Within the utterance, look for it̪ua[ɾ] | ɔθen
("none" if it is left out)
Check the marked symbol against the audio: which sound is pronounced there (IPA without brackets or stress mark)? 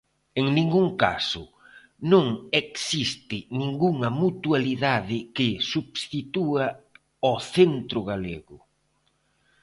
none